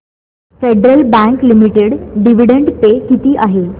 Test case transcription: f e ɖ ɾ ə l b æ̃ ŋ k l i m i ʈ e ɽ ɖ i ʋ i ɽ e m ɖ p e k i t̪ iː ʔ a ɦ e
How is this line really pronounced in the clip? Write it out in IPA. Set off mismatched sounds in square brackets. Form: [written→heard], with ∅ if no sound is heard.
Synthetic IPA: f e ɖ ɾ ə l b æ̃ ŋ k l i m i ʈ e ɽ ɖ i ʋ i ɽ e [m→ɳ] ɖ p e k i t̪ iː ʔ a ɦ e